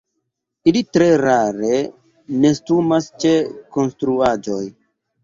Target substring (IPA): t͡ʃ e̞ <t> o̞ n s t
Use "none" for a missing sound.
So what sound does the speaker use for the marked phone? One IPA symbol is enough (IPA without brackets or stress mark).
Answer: k